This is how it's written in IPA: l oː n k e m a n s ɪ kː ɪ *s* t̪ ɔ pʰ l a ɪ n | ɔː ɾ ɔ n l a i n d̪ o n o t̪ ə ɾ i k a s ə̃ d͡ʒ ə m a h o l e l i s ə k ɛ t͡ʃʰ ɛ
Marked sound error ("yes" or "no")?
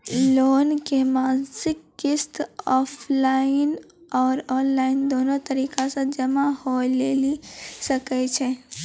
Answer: no